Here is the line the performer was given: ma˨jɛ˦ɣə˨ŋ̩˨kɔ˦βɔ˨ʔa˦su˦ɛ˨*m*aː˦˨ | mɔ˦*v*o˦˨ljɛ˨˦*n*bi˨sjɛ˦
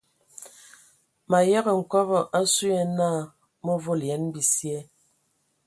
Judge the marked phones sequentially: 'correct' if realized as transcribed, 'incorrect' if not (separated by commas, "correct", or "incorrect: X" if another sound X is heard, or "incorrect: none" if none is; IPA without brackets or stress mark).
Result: incorrect: n, correct, correct